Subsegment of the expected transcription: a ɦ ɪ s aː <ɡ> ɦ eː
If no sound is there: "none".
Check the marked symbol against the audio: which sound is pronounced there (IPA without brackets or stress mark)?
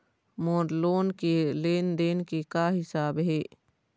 b